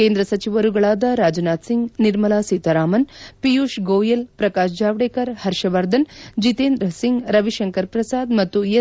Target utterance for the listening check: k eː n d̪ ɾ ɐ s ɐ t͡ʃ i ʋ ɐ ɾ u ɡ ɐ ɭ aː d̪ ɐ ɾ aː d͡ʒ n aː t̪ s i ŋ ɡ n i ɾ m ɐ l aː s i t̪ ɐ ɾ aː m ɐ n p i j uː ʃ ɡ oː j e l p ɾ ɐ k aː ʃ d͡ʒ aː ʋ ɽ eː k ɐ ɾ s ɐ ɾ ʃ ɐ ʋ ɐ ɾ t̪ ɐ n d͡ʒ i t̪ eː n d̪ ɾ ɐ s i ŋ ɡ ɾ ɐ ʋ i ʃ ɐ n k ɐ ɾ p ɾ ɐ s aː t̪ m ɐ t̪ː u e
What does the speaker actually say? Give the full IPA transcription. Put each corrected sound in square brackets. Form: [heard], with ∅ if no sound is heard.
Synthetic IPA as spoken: k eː n d̪ ɾ ɐ s ɐ t͡ʃ i ʋ ɐ ɾ u ɡ ɐ ɭ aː d̪ ɐ ɾ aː d͡ʒ n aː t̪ s i ŋ ɡ n i ɾ m ɐ l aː s i t̪ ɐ ɾ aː m ɐ n p i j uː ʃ ɡ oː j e l p ɾ ɐ k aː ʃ d͡ʒ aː ʋ ɽ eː k ɐ ɾ [h] ɐ ɾ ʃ ɐ ʋ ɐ ɾ [d̪] ɐ n d͡ʒ i t̪ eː n d̪ ɾ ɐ s i ŋ ɡ ɾ ɐ ʋ i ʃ ɐ [ŋ] k ɐ ɾ p ɾ ɐ s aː [d̪] m ɐ t̪ː u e